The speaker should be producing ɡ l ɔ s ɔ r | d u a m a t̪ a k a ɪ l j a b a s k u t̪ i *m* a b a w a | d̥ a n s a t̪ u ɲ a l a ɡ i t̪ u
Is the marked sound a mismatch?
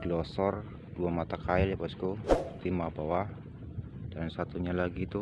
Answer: no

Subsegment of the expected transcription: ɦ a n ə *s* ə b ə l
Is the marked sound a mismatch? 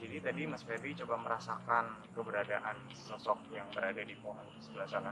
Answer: no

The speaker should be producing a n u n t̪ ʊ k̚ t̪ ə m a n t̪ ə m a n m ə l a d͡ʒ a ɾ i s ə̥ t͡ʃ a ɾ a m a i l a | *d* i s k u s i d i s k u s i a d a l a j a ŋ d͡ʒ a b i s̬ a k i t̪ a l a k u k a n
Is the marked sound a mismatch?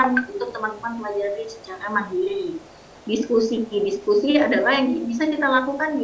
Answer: no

